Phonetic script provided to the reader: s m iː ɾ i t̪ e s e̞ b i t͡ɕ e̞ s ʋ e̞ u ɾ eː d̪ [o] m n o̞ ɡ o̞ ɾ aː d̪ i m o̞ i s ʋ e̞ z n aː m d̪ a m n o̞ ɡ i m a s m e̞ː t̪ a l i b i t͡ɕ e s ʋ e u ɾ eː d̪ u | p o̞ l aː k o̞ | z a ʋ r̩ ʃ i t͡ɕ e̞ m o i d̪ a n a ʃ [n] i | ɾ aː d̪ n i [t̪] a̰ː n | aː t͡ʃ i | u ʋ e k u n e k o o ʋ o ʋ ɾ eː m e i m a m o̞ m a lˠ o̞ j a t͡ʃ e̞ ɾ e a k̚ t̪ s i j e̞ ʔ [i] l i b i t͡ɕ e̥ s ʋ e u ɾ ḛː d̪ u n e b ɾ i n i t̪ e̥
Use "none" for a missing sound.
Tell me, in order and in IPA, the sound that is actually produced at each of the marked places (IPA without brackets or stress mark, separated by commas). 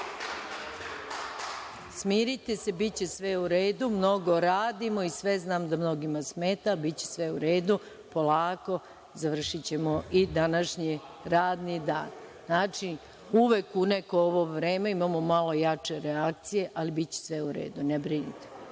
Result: u, ɲ, d̪, a